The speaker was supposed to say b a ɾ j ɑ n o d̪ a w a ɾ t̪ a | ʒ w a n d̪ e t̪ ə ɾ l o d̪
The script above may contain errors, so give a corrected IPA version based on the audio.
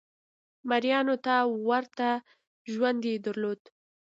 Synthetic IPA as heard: m a ɾ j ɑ n o t̪ a w a ɾ t̪ a | ʒ w a n d̪ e d̪ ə ɾ l o d̪